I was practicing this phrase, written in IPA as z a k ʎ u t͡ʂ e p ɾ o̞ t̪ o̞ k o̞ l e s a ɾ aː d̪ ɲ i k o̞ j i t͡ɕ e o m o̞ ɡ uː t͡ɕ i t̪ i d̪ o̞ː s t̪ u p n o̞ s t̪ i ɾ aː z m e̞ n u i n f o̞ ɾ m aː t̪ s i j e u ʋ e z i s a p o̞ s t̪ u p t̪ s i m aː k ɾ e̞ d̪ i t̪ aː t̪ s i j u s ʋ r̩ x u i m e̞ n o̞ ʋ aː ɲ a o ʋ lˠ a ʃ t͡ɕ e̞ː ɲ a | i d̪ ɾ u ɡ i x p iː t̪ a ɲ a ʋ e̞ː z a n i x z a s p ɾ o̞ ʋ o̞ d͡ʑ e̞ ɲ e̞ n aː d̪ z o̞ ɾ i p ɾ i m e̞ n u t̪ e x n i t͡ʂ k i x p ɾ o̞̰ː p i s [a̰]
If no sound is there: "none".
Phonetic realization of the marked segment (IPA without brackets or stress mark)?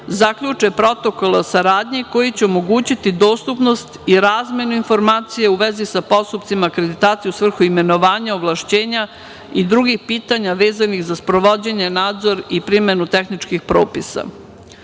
a̰